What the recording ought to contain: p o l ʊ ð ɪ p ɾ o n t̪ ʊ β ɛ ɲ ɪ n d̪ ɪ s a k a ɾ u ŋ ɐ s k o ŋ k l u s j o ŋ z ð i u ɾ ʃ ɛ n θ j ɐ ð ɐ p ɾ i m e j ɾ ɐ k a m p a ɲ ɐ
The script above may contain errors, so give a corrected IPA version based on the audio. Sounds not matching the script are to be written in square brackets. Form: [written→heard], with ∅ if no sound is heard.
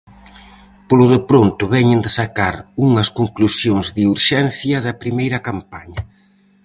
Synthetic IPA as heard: p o l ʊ ð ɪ p ɾ o n t̪ ʊ β ɛ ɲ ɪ n d̪ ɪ s a k a ɾ u ŋ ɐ s k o ŋ k l u s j o ŋ z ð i u ɾ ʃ ɛ n θ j ɐ ð ɐ p ɾ i m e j ɾ ɐ k a m p a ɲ ɐ